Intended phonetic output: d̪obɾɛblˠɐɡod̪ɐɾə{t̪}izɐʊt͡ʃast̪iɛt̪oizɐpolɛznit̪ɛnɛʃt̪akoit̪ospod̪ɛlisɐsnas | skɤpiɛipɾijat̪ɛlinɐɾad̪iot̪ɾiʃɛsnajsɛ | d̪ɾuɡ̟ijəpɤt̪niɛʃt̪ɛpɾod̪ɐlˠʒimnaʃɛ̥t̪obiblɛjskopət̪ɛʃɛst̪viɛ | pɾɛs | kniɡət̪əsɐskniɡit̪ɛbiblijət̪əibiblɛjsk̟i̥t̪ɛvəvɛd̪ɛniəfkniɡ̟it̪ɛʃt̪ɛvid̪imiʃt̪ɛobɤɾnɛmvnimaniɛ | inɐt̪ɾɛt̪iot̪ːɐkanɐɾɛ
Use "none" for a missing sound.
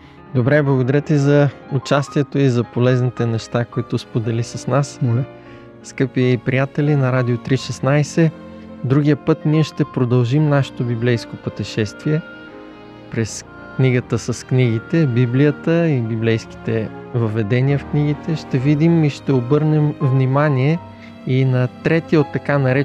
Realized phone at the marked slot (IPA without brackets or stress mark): t̪